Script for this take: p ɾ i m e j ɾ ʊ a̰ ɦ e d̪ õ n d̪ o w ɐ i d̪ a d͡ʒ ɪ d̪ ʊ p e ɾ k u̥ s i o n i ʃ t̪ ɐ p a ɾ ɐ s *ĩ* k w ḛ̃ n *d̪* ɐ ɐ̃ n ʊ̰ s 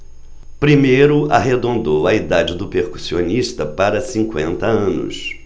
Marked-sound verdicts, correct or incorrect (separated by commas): correct, incorrect